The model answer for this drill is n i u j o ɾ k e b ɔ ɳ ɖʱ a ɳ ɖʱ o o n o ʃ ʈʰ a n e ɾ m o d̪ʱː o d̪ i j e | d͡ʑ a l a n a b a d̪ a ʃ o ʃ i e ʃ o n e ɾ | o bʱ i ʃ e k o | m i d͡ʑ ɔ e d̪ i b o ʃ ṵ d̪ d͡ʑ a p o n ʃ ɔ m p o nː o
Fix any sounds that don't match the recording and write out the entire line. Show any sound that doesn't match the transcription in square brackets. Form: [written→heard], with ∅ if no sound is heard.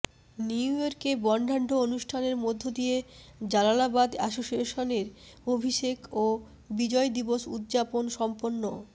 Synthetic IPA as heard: n i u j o ɾ k e b ɔ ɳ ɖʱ a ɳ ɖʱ o o n [o→u] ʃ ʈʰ a n e ɾ m o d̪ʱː o d̪ i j e | d͡ʑ a l a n a b a d̪ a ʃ o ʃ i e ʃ o n e ɾ | o bʱ i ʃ e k o | [m→b] i d͡ʑ ɔ e d̪ i b o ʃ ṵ d̪ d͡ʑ a p o n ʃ ɔ m p o nː o

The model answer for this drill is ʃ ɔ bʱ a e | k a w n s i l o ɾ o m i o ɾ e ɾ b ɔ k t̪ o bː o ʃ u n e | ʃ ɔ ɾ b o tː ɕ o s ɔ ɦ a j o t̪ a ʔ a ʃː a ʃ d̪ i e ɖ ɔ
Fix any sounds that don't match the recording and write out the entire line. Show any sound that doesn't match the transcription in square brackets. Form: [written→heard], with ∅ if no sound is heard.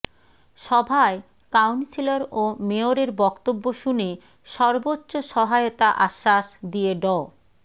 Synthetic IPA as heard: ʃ ɔ bʱ a e | k a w n s i l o ɾ o m [i→e] o ɾ e ɾ b ɔ k t̪ o bː o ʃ u n e | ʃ ɔ ɾ b o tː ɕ o [s→ʃ] ɔ ɦ a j o t̪ a ʔ a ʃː a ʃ d̪ i e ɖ ɔ

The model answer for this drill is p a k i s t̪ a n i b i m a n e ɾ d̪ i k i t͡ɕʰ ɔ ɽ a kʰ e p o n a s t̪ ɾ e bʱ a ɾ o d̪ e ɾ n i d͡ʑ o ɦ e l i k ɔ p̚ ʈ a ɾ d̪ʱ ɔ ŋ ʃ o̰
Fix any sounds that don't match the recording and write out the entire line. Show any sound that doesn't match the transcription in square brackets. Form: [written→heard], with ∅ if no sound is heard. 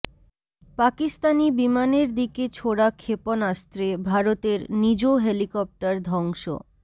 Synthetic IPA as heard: p a k i s t̪ a n i b i m a n e ɾ d̪ i k [i→e] t͡ɕʰ [ɔ→o] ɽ a kʰ e p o n a s t̪ ɾ e bʱ a ɾ o [d̪→t̪] e ɾ n i d͡ʑ o ɦ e l i k ɔ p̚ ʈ a ɾ d̪ʱ ɔ ŋ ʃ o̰

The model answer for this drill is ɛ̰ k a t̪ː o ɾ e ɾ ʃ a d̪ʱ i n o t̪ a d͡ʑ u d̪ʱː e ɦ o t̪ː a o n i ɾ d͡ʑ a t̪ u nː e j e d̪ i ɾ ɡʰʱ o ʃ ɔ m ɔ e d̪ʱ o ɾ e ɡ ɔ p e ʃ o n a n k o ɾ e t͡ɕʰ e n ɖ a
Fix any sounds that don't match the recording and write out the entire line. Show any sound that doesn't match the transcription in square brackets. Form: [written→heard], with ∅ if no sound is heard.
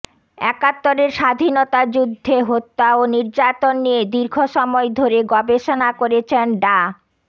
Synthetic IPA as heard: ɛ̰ k a t̪ː o ɾ e ɾ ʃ a d̪ʱ i n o t̪ a d͡ʑ u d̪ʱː e ɦ o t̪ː a o n i ɾ d͡ʑ a t̪ [u→o] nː [e→i] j e d̪ i ɾ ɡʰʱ o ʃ ɔ m ɔ e d̪ʱ o ɾ e ɡ ɔ [p→b] e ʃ o n a [n→∅] k o ɾ e t͡ɕʰ e n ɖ a

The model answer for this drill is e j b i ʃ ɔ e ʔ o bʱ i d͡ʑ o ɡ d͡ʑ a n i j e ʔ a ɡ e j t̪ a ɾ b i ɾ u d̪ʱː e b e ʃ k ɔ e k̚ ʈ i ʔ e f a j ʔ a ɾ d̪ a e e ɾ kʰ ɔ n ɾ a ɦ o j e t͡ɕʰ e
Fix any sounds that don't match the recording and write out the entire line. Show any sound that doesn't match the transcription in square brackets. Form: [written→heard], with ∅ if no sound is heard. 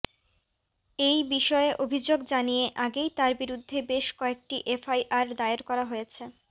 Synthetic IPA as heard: e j b i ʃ ɔ e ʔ o bʱ i d͡ʑ o ɡ d͡ʑ a n i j e ʔ a ɡ e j t̪ a ɾ b i ɾ u d̪ʱː e b e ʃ k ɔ e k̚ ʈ i ʔ e f a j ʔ a ɾ d̪ a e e ɾ [kʰ→k] ɔ [n→∅] ɾ a ɦ o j e t͡ɕʰ e

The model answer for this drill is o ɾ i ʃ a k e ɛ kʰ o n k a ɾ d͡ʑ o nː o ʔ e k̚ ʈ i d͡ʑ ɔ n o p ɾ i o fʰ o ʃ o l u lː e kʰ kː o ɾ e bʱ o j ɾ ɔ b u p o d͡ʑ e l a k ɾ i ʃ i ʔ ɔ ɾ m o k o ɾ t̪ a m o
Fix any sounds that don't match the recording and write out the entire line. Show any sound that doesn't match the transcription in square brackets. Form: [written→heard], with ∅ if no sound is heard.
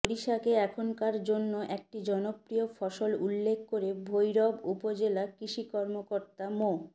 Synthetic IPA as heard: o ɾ i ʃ a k e ɛ kʰ o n k a ɾ d͡ʑ o nː o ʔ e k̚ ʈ i d͡ʑ ɔ n o p ɾ i o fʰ [o→ɔ] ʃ o l u lː e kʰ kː o ɾ e bʱ o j ɾ ɔ b u p o d͡ʑ e l a k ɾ i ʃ i [ʔ→k] ɔ ɾ m o k o ɾ t̪ a m o

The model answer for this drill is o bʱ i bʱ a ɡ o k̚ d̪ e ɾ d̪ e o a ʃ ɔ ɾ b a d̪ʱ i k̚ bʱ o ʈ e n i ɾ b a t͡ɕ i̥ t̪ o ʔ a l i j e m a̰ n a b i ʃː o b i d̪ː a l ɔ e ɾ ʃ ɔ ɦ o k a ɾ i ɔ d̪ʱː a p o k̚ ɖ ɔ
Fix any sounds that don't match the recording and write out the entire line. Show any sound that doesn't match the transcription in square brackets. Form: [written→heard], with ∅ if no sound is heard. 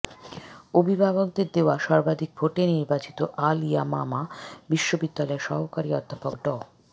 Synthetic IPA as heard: o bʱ i bʱ a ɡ o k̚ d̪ e ɾ d̪ e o a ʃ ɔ ɾ b a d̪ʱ i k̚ bʱ o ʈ e n i ɾ b a t͡ɕ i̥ t̪ o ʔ a l i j [e→a] m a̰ [n→m] a b i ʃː o b i d̪ː a l ɔ e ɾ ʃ ɔ ɦ o k a ɾ i ɔ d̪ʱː a p o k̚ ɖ ɔ

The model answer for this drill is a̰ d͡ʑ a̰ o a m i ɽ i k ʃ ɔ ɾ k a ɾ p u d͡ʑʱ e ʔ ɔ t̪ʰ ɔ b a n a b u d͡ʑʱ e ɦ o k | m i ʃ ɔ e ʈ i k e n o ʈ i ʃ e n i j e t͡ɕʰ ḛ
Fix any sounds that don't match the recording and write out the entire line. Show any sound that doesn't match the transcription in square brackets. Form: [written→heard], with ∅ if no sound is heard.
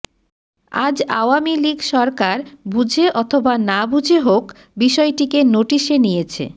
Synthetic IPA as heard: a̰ d͡ʑ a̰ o a m i [ɽ→l] i [k→ɡ] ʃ ɔ ɾ k a ɾ [p→b] u d͡ʑʱ e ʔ ɔ t̪ʰ [ɔ→o] b a n a b u d͡ʑʱ e ɦ o k | [m→b] i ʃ ɔ e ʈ i k e n o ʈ i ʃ e n i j e t͡ɕʰ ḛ

